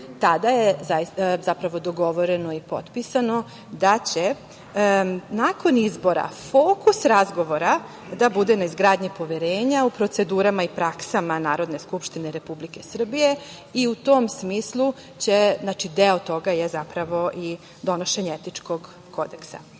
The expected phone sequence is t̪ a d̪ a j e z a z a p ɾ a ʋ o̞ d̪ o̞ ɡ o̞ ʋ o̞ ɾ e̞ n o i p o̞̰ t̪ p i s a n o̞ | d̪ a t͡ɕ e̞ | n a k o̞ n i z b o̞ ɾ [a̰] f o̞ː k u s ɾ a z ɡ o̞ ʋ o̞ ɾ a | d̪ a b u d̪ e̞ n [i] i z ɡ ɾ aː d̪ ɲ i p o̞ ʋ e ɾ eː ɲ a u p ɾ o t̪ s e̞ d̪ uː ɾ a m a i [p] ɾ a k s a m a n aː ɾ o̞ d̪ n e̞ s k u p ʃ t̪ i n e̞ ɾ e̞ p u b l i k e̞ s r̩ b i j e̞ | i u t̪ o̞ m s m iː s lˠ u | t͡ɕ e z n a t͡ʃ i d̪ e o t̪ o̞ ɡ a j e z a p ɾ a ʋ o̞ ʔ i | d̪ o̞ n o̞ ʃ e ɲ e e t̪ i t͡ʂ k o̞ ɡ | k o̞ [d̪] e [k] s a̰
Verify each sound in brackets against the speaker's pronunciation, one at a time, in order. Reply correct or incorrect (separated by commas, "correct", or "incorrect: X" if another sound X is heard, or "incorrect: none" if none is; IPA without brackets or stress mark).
correct, incorrect: a, correct, correct, correct